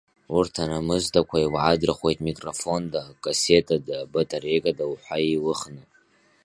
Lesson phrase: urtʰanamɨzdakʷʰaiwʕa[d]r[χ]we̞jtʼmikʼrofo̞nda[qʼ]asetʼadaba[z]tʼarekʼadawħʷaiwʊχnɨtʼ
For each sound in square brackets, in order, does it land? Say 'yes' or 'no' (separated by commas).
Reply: yes, yes, no, no